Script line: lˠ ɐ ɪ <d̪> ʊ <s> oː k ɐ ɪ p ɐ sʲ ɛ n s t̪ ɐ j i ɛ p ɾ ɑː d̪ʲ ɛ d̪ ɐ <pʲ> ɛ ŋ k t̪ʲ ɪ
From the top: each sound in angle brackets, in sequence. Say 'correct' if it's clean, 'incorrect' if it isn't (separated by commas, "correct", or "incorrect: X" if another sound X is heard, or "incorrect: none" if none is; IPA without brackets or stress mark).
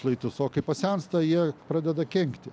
incorrect: t̪, correct, incorrect: kʲ